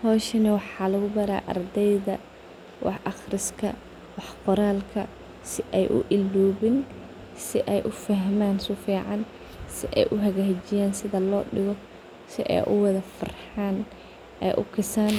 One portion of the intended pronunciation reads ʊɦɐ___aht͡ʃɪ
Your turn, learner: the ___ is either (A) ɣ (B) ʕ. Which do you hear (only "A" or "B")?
A